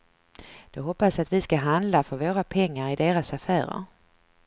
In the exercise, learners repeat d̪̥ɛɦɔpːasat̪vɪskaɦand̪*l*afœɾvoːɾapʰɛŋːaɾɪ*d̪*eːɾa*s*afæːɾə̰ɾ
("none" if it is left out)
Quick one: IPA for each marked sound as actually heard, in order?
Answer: l, d̪, s

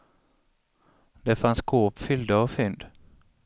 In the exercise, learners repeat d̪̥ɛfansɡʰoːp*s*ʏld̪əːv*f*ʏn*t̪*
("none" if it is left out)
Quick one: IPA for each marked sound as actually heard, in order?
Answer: f, f, d̪

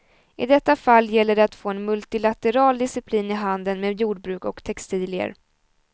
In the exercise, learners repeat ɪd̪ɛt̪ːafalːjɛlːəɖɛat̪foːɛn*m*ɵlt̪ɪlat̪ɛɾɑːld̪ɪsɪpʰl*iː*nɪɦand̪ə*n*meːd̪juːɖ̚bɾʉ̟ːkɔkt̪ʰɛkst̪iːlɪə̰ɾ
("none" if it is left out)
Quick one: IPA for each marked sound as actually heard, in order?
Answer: m, iː, n

